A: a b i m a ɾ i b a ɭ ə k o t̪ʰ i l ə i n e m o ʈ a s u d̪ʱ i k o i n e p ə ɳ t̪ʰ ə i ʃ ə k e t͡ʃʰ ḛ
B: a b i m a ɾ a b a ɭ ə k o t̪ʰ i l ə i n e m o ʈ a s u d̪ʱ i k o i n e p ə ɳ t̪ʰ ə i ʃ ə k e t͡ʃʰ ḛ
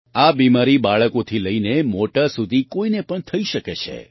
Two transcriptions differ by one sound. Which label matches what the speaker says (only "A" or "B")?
A